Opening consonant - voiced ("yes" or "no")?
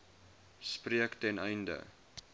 no